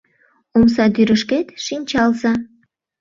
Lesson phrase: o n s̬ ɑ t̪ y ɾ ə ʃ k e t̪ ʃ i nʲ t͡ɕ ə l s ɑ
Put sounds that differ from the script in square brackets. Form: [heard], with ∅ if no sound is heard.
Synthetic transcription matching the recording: o [m] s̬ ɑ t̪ y ɾ ə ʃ k e t̪ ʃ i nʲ t͡ɕ [ɑ] l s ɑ